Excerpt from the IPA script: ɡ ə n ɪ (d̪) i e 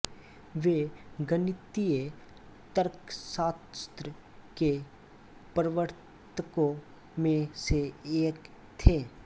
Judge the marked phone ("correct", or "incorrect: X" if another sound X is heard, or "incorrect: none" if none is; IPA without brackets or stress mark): incorrect: t̪